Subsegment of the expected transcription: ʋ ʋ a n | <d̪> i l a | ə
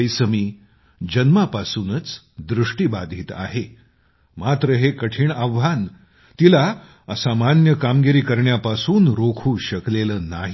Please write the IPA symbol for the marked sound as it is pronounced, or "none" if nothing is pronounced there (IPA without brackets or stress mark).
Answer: t̪